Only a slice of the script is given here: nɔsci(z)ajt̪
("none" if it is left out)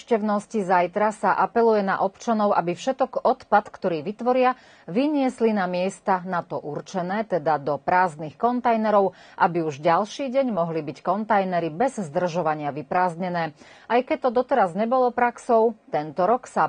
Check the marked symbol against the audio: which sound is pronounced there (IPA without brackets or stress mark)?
z